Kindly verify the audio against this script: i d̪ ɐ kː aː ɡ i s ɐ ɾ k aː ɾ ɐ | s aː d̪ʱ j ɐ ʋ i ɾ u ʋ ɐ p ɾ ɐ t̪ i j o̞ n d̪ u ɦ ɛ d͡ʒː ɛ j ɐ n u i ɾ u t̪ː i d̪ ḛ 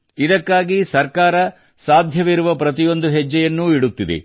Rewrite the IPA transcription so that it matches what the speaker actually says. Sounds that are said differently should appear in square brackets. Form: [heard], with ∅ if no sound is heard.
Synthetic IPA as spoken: i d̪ ɐ kː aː ɡ i s ɐ ɾ k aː ɾ ɐ | s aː d̪ʱ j ɐ ʋ i ɾ u ʋ ɐ p ɾ ɐ t̪ i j o̞ n d̪ u ɦ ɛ d͡ʒː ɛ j ɐ [nː] u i [ɽ] u t̪ː i d̪ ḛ